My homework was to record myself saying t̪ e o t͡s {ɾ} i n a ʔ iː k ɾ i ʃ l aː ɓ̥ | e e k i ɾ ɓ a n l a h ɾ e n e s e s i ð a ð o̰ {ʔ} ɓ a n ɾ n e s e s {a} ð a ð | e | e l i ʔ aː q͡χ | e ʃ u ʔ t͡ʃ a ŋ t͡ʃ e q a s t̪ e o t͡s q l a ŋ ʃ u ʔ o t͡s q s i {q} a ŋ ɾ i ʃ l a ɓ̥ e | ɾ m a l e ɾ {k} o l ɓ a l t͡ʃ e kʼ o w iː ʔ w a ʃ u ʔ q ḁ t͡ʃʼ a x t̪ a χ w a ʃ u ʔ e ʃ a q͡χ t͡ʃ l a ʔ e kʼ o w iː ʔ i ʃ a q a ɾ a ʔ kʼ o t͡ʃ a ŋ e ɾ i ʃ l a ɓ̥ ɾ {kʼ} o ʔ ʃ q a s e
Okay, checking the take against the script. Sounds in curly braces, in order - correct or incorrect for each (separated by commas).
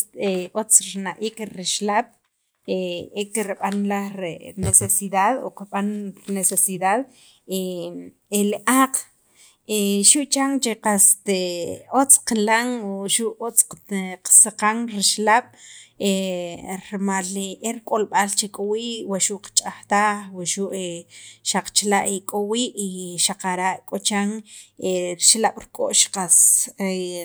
correct, incorrect, incorrect, correct, incorrect, correct